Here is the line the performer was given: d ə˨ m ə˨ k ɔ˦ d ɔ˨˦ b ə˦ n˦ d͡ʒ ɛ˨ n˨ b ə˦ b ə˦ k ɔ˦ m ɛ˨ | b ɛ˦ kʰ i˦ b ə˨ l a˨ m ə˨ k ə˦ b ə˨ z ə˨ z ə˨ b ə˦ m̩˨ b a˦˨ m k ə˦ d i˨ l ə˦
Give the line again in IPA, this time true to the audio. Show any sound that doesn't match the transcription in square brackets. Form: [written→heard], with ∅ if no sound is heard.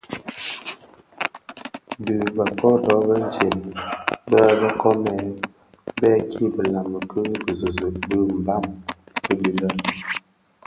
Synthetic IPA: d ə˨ [m→b] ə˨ k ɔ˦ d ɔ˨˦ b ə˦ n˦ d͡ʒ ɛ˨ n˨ b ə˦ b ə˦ k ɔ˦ m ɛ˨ | b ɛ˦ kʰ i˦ b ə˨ l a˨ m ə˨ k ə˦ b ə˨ z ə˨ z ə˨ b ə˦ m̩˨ b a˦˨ m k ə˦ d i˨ l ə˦